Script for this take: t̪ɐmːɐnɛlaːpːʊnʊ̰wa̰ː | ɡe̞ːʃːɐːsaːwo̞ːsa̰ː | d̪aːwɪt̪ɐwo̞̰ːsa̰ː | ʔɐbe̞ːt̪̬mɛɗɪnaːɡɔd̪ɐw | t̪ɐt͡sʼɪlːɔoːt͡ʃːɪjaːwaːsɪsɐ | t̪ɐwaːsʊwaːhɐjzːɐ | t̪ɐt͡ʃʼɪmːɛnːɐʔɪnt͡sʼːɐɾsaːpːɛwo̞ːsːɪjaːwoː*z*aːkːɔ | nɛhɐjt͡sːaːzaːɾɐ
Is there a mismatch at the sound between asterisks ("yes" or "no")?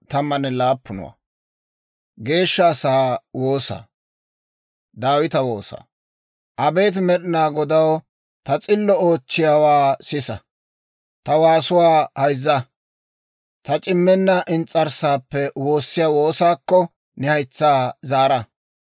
yes